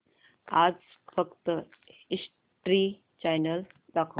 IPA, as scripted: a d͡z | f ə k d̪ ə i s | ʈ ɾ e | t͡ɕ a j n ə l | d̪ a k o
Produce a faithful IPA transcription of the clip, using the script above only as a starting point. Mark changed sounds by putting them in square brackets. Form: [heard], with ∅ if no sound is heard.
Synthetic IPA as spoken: a d͡z | f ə k [t̪] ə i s | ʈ ɾ [i] | t͡ɕ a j n ə l | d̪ a [kʰ] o